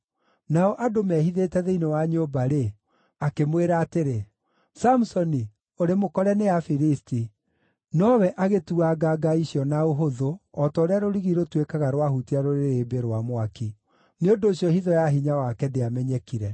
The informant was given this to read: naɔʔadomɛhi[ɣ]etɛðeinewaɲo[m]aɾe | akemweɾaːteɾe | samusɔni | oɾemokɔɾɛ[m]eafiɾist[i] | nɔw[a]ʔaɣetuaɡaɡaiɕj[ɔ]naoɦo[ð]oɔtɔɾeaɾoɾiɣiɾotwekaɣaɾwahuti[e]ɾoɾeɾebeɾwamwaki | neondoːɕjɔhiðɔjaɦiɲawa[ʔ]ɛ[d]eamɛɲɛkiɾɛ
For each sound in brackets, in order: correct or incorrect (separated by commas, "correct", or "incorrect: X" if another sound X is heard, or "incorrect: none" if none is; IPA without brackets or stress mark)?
incorrect: ð, incorrect: b, incorrect: n, correct, incorrect: ɛ, correct, correct, incorrect: a, incorrect: k, correct